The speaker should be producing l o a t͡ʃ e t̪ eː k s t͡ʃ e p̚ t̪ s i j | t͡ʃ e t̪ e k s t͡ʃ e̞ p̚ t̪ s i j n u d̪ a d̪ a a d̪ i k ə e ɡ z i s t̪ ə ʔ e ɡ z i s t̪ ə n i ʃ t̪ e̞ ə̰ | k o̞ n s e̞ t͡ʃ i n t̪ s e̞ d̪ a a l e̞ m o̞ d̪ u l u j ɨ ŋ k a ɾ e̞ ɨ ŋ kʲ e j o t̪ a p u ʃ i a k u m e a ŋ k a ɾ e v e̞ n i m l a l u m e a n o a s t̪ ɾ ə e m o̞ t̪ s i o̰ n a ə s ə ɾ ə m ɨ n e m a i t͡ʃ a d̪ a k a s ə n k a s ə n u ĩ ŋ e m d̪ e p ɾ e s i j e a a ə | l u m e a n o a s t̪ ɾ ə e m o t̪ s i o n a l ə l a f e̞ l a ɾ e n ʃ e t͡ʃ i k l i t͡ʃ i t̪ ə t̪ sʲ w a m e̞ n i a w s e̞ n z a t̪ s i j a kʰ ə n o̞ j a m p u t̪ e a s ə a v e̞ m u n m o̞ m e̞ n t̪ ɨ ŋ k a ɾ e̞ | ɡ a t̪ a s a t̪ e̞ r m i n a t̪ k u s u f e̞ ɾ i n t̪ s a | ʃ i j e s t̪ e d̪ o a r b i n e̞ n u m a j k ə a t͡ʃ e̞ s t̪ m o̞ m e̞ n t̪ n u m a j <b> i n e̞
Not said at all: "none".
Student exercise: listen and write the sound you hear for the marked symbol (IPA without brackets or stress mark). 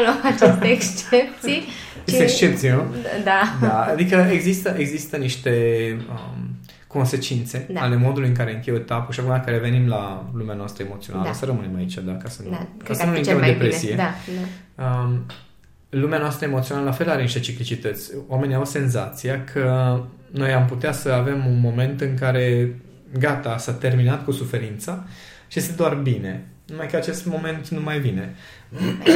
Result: v